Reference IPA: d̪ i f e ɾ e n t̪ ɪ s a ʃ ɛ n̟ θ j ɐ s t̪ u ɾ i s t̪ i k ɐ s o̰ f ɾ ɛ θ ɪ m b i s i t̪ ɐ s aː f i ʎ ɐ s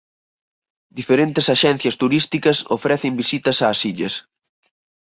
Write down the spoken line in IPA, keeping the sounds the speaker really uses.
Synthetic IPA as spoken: d̪ i f e ɾ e n t̪ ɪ s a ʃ ɛ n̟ θ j ɐ s t̪ u ɾ i s t̪ i k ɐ s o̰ f ɾ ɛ θ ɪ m b i s i t̪ ɐ s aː s i ʎ ɐ s